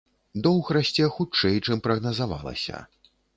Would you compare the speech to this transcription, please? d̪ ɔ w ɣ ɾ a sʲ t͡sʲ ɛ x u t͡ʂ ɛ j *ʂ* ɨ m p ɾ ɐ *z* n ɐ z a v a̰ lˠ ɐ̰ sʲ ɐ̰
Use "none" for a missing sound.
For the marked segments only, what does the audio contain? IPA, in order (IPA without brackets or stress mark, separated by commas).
t͡ʂ, ɣ